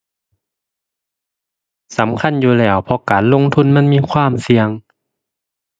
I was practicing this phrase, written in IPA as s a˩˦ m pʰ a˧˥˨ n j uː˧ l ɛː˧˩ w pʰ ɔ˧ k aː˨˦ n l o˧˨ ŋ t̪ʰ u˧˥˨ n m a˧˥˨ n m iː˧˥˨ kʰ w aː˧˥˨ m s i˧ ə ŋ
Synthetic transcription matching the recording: s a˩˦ m kʰ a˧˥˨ n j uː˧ l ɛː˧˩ w pʰ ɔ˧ k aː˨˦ n l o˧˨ ŋ t̪ʰ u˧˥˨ n m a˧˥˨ n m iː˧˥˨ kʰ w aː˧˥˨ m s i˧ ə ŋ